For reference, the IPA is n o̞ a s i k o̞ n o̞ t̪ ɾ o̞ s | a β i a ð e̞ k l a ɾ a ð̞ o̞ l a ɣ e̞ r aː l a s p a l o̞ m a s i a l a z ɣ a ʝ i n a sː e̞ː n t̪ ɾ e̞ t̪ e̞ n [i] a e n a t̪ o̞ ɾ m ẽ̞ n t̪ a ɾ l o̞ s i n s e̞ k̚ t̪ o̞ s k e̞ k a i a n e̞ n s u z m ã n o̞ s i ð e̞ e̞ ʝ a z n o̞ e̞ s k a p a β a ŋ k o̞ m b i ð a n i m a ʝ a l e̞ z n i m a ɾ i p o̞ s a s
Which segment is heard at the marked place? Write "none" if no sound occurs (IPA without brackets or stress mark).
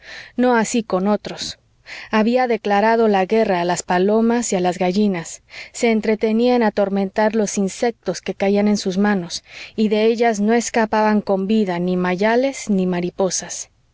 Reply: i